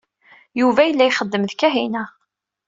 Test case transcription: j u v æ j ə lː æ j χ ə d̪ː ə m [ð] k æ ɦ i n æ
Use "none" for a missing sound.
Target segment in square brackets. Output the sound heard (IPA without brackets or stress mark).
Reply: ð